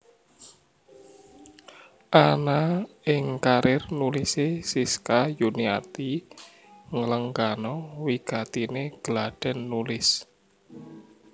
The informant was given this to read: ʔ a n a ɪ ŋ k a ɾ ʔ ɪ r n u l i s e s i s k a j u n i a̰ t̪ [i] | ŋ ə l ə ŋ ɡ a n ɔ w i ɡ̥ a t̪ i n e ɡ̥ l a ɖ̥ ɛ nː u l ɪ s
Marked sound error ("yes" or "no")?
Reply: no